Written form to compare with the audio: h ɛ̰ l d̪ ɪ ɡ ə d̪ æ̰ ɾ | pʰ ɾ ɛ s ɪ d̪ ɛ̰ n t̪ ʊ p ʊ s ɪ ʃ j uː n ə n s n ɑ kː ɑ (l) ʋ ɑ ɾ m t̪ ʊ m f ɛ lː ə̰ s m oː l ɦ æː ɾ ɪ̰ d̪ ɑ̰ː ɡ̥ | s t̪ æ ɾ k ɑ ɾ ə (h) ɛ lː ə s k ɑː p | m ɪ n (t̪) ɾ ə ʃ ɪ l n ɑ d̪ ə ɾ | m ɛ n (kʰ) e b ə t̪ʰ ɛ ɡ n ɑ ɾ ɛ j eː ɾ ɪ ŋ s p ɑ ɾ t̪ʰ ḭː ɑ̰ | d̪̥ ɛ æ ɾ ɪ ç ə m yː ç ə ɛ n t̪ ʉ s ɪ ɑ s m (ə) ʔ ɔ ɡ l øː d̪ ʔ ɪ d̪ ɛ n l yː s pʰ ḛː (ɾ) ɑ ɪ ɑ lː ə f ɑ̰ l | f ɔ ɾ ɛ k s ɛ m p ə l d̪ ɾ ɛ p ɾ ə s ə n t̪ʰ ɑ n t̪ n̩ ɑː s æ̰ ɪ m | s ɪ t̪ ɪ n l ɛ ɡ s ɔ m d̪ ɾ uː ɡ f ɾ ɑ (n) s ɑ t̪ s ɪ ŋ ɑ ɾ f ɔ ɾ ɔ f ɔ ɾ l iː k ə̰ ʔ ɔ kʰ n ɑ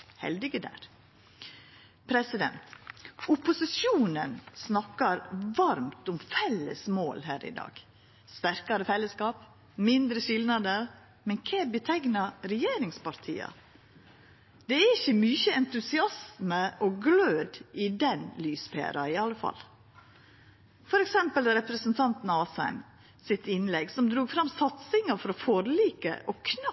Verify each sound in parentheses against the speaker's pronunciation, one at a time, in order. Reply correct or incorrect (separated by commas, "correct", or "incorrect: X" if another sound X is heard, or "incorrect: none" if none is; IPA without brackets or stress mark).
incorrect: ɾ, incorrect: f, incorrect: d̪, correct, correct, correct, incorrect: m